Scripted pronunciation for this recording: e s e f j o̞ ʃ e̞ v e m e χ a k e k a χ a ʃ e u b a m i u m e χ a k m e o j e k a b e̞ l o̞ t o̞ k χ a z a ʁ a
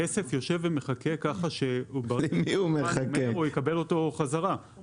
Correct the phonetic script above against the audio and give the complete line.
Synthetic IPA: e s e f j o̞ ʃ e̞ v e m e χ a k e k a χ a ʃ e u b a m i u m e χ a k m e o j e k a b e̞ l o̞ t o̞ χ a z a ʁ a

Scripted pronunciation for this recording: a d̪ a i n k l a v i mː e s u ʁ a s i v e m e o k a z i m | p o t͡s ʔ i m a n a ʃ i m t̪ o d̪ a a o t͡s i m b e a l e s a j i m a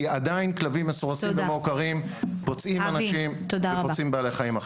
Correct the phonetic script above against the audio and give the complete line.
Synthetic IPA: a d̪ a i n k l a v i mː e s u ʁ a s i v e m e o k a ʁ i m | p o t͡s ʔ i m a n a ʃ i m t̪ o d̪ a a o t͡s i m b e a l e χ a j i m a

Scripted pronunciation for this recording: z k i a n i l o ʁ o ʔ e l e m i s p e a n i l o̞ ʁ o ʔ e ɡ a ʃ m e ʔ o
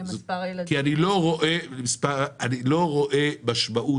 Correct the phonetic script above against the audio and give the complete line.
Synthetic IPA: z k i a n i l o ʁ o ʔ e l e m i s p a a n i l o̞ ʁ o ʔ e b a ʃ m a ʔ u

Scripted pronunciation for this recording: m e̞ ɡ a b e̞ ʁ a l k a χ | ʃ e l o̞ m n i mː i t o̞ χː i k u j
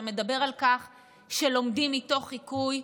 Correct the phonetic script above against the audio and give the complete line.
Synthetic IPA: m e̞ d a b e̞ ʁ a l k a χ | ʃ e l o̞ m d i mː i t o̞ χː i k u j

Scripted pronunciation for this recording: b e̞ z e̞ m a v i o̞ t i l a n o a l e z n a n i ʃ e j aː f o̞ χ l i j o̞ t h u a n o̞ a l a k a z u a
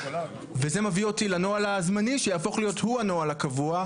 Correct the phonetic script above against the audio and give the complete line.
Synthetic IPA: v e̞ z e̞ m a v i o̞ t i l a n o a l a z m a n i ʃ e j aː f o̞ χ l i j o̞ t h u a n o̞ a l a k a v u a

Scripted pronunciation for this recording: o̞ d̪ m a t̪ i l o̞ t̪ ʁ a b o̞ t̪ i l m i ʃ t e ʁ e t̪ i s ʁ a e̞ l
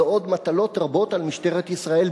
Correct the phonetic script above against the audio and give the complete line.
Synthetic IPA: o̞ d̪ m a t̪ a l o̞ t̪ ʁ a b o̞ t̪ a l m i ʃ t e ʁ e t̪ i s ʁ a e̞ l

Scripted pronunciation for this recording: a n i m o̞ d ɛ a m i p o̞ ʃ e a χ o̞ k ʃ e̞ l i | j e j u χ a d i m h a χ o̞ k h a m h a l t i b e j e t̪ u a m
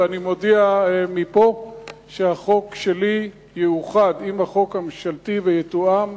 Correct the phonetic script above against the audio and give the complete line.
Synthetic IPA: a n i m o̞ d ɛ a m i p o̞ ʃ e a χ o̞ k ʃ e̞ l i | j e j u χ a d i m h a χ o̞ k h a m ʃ a l t i v e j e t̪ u a m

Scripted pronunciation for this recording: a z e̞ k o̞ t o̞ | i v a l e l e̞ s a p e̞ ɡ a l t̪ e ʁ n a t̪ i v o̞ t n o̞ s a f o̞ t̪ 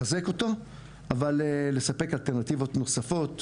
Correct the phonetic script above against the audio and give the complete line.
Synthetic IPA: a z e̞ k o̞ t o̞ | a v a l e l e̞ s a p e̞ k a l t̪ e ʁ n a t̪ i v o̞ t n o̞ s a f o̞ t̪

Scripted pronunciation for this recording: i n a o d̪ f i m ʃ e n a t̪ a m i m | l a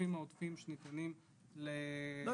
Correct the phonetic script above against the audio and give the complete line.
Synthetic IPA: i m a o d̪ f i m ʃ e n i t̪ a n i m | l e

